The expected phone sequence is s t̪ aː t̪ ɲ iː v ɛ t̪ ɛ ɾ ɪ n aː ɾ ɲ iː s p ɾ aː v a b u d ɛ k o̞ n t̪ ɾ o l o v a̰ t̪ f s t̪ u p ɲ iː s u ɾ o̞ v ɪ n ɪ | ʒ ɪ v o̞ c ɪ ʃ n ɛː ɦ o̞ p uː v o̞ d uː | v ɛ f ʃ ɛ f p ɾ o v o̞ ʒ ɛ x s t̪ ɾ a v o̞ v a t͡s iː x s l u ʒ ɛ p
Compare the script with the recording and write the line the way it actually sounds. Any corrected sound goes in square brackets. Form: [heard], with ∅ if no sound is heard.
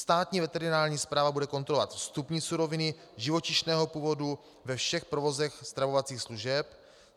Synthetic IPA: s t̪ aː t̪ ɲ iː v ɛ t̪ ɛ ɾ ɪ n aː ɾ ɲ iː s p ɾ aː v a b u d ɛ k o̞ n t̪ ɾ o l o v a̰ t̪ f s t̪ u p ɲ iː s u ɾ o̞ v ɪ n ɪ | ʒ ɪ v o̞ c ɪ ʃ n ɛː ɦ o̞ p uː v o̞ d [u] | v ɛ f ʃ ɛ [x] p ɾ o v o̞ [z] ɛ x s t̪ ɾ a v o̞ v a t͡s iː x s l u ʒ ɛ p